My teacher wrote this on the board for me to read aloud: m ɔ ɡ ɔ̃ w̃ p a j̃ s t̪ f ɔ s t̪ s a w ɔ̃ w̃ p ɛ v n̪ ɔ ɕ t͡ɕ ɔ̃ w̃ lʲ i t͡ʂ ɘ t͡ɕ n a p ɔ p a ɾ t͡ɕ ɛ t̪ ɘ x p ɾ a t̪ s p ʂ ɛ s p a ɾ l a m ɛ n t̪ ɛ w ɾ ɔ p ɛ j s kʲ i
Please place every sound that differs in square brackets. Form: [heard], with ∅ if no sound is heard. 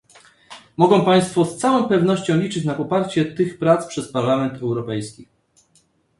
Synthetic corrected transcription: m ɔ ɡ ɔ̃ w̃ p a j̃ s t̪ f ɔ s t̪ s a w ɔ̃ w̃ p ɛ v n̪ ɔ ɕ t͡ɕ ɔ̃ w̃ lʲ i t͡ʂ ɘ t͡ɕ n a p ɔ p a ɾ t͡ɕ ɛ t̪ ɘ x p ɾ a t̪ s p ʂ ɛ s p a ɾ l a m ɛ n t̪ ɛ w ɾ ɔ p ɛ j s kʲ i

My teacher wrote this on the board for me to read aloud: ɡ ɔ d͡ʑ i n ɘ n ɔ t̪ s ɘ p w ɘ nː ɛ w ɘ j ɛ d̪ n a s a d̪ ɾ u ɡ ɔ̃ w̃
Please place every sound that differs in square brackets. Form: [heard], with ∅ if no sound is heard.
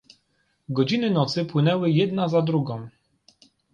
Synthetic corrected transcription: ɡ ɔ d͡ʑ i n ɘ n ɔ t̪ s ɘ p w ɘ [n] ɛ w ɘ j ɛ d̪ n a [z] a d̪ ɾ u ɡ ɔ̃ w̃

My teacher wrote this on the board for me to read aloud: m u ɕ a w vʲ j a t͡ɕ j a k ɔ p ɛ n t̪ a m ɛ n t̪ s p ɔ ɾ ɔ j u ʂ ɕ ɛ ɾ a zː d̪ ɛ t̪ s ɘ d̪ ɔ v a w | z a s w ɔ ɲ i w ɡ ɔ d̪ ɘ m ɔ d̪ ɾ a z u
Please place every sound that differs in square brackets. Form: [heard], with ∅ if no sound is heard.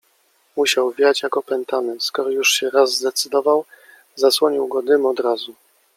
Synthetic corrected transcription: m u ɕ a w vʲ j a t͡ɕ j a k ɔ p ɛ n t̪ a m ɛ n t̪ s [k] ɔ ɾ ɔ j u ʂ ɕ ɛ ɾ a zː d̪ ɛ t̪ s ɘ d̪ ɔ v a w | z a s w ɔ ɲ i w ɡ ɔ d̪ ɘ m ɔ d̪ ɾ a z u

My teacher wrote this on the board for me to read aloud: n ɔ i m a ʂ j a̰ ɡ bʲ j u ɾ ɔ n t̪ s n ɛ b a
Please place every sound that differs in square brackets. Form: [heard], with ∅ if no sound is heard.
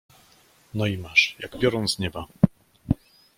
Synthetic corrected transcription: n ɔ i m a ʂ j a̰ ɡ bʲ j [ɔ] ɾ ɔ n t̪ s [ɲ] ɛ b a

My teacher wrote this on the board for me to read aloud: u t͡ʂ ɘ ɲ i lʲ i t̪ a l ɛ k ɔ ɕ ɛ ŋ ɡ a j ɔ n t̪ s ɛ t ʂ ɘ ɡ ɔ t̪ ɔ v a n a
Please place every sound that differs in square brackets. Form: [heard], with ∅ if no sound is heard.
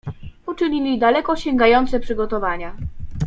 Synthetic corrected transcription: u t͡ʂ ɘ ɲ i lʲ i [d̪] a l ɛ k ɔ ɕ ɛ ŋ ɡ a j ɔ n t̪ s ɛ [p] ʂ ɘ ɡ ɔ t̪ ɔ v a [ɲ] a

